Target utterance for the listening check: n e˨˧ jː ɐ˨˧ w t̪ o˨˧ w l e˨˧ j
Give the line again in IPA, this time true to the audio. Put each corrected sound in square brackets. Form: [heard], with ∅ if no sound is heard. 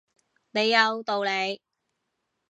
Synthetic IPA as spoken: n e˨˧ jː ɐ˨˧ w t̪ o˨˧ w l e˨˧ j